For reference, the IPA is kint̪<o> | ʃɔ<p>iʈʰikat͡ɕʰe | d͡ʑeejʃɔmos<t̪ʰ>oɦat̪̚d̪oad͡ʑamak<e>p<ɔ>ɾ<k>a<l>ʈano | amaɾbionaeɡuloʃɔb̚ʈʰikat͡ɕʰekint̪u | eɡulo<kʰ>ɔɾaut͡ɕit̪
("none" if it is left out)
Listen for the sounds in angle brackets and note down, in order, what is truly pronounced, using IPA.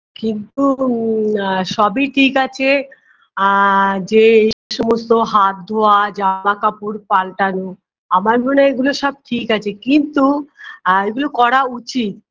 u, b, t̪, a, u, p, l, k

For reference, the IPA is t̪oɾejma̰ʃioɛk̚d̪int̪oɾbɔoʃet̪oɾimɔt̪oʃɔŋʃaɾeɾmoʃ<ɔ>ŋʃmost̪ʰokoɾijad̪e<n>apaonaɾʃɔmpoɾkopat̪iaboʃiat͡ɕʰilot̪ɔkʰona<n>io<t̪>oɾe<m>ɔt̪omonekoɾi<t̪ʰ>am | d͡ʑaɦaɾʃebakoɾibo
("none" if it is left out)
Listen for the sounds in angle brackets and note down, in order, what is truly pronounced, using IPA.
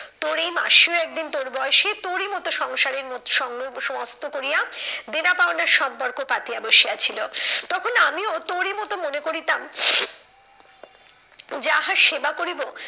ɔ, n, m, t̪, m, t̪

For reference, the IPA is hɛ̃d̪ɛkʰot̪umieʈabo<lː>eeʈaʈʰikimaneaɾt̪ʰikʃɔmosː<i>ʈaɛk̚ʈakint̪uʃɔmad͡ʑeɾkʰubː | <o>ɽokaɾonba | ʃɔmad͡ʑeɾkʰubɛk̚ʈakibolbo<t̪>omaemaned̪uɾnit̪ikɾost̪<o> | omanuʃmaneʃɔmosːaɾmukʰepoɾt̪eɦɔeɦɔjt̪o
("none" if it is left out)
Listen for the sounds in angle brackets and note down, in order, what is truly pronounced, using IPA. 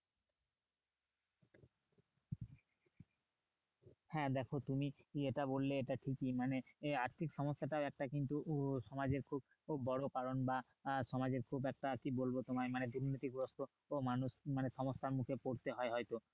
lː, a, ɔ, t̪, o

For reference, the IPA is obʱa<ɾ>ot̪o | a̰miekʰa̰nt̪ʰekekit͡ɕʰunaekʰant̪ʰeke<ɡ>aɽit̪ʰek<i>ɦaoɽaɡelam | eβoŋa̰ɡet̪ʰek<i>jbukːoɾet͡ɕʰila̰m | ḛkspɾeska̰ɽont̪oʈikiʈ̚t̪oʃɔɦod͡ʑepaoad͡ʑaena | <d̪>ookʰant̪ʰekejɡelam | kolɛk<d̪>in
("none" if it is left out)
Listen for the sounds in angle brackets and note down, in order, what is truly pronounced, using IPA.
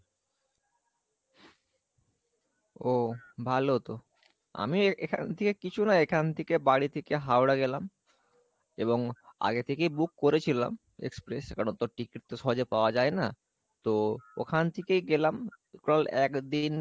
l, b, e, e, t̪, d̪

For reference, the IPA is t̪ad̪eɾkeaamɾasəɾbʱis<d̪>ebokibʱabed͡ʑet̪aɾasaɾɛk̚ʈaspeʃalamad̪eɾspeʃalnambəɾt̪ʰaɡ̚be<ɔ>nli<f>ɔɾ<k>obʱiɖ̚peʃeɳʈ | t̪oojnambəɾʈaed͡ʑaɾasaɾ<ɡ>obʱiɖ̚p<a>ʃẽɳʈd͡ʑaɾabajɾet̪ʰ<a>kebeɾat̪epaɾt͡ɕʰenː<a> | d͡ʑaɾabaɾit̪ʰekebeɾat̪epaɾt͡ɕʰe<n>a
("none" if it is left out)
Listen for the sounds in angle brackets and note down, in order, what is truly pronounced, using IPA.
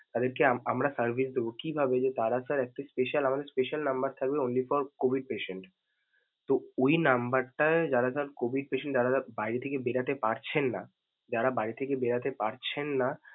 d̪, o, f, k, k, e, e, a, nː

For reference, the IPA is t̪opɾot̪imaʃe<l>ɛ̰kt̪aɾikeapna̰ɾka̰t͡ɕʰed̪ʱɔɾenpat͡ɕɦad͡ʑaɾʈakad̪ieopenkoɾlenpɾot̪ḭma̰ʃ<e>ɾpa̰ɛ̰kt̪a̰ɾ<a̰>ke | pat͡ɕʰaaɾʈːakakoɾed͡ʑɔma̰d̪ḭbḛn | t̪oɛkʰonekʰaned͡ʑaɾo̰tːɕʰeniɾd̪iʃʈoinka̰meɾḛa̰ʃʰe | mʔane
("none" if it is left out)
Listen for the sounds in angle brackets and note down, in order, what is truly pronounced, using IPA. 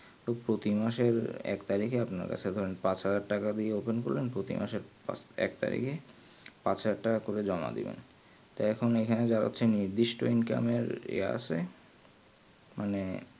ɾ, e, ḭ

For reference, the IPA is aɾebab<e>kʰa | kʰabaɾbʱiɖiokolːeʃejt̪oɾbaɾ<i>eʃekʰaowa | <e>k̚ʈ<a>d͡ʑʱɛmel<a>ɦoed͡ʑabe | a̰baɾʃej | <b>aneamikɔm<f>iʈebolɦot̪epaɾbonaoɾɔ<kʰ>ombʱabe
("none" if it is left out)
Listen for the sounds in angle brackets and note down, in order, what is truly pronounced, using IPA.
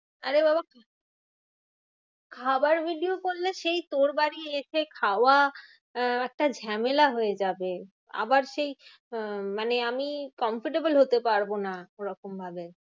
a, i, ɛ, a, a, m, f, k

